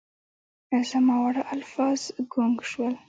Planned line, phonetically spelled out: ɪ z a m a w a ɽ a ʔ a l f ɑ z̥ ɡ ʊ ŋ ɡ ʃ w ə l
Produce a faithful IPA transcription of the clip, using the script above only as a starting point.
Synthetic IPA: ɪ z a m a w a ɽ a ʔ a l f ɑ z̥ ɡ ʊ ŋ ɡ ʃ w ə l